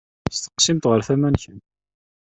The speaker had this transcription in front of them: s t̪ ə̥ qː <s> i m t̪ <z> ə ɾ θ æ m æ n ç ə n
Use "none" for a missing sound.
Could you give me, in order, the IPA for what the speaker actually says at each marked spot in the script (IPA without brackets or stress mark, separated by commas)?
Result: s, ʁ